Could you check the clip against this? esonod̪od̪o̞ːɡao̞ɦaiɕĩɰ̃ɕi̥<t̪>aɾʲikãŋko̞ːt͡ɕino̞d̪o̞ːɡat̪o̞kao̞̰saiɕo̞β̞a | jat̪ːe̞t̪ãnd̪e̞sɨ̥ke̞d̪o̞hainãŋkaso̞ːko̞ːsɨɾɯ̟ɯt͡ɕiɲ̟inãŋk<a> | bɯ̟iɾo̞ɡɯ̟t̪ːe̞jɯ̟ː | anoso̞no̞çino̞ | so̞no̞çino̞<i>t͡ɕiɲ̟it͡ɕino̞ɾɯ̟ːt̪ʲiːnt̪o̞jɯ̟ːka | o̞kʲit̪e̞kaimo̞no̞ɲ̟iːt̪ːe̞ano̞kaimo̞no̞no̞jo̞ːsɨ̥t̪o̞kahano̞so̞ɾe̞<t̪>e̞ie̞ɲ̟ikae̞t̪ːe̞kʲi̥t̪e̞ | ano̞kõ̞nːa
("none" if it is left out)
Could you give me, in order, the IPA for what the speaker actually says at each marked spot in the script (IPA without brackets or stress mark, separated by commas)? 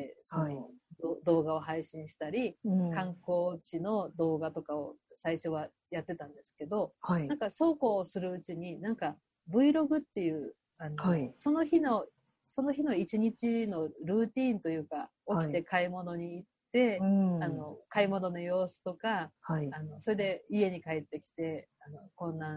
t̪, a, i, d̪